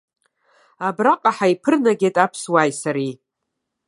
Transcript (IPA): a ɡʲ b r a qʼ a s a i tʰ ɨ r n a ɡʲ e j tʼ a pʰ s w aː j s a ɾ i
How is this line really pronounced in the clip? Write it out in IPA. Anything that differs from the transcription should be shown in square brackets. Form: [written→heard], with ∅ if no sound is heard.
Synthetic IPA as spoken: a [ɡʲ→∅] b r a qʼ a [s→ħ] a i [tʰ→pʰ] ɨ r n a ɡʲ e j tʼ a pʰ s w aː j s a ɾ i